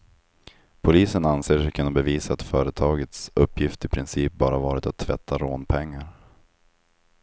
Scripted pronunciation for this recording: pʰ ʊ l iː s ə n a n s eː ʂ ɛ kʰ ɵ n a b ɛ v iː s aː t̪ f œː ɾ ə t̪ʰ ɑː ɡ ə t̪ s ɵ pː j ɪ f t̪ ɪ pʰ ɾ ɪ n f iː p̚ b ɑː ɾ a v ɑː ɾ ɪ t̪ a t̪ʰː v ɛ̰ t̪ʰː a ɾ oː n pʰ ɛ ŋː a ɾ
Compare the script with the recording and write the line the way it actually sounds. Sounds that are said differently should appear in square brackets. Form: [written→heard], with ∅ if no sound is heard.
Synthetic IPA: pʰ ʊ l iː s ə n a n s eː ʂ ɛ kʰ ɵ n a b ɛ v iː s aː t̪ f œː ɾ ə t̪ʰ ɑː ɡ ə t̪ s ɵ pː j ɪ f t̪ ɪ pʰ ɾ ɪ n [f→s] iː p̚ b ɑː ɾ a v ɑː ɾ ɪ t̪ a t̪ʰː v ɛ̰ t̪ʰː a ɾ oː n pʰ ɛ ŋː a ɾ